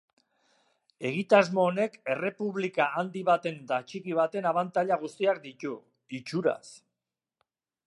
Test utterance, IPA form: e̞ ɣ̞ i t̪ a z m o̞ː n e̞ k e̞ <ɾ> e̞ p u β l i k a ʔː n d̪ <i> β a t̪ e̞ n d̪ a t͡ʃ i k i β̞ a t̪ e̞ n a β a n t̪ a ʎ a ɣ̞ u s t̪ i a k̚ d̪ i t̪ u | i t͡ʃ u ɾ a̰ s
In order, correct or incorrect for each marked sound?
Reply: incorrect, correct

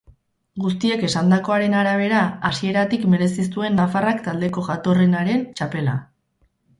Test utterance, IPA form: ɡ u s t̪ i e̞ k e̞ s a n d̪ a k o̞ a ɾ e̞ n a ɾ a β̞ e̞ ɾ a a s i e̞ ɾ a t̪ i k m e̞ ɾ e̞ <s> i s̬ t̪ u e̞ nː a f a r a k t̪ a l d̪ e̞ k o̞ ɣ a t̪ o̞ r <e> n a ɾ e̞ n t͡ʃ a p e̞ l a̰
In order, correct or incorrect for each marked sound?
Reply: correct, correct

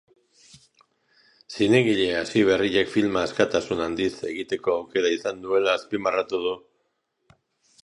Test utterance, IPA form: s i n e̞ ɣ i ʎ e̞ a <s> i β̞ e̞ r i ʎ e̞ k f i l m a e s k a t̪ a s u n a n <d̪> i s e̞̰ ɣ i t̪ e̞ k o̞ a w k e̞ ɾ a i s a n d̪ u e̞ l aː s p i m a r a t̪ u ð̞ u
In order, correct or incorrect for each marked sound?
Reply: correct, correct

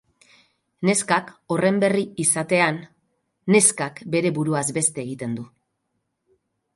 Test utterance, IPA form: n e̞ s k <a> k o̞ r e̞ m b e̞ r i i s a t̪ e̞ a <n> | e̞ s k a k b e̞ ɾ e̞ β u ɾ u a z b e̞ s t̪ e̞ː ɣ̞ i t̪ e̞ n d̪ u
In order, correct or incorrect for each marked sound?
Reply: correct, incorrect

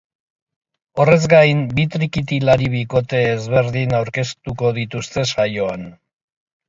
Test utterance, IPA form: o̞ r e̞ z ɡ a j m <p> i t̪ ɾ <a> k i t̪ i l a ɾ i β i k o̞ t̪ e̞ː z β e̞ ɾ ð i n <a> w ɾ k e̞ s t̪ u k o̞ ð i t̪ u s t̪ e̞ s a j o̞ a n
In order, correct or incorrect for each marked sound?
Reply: incorrect, incorrect, correct

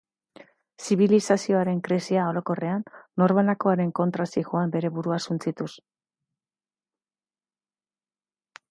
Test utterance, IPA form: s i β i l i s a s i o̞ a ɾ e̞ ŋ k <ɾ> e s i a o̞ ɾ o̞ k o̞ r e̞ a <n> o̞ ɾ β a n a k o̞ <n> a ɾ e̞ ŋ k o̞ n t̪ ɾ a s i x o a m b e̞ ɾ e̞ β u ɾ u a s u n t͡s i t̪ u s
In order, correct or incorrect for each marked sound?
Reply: correct, incorrect, incorrect

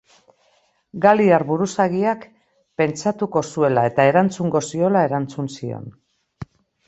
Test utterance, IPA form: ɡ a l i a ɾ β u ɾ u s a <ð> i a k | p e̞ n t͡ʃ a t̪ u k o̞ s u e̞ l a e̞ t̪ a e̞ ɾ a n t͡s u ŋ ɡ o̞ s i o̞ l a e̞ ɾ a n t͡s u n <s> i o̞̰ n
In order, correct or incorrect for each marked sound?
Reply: incorrect, correct

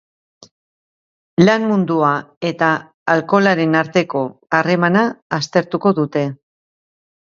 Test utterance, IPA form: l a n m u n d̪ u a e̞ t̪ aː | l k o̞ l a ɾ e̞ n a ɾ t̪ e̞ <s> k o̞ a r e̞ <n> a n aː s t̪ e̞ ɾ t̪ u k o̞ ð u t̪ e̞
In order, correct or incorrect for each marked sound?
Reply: incorrect, incorrect

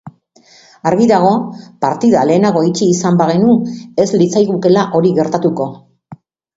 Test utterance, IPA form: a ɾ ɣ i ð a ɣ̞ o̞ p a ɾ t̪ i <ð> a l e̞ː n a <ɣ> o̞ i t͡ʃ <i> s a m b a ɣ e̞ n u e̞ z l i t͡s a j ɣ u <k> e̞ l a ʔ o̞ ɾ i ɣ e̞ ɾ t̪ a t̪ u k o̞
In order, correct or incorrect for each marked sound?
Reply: correct, correct, incorrect, correct

